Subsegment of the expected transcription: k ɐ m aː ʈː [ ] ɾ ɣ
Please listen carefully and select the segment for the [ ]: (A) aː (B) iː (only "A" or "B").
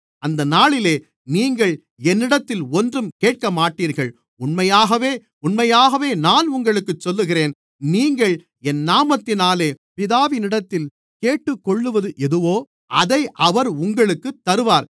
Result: B